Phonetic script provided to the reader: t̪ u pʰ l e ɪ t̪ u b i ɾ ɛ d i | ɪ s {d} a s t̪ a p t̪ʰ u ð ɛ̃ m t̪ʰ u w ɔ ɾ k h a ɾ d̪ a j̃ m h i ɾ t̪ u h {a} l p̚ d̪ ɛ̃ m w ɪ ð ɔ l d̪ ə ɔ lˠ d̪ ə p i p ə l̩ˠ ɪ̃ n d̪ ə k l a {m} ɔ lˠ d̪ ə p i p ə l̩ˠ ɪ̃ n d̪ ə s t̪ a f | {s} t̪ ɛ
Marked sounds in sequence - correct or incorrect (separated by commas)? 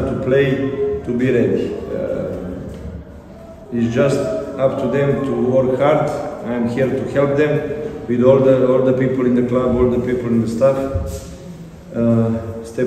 incorrect, incorrect, incorrect, correct